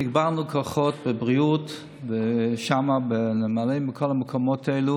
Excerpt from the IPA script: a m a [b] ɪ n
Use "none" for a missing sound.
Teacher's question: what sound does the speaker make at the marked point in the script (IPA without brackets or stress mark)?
b